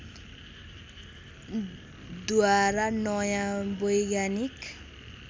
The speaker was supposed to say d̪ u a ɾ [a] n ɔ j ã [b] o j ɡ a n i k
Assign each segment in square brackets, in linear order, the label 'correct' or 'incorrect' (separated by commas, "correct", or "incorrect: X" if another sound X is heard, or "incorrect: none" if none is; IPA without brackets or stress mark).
correct, correct